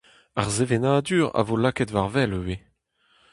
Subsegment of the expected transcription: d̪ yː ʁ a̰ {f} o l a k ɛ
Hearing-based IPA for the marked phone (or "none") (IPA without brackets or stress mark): v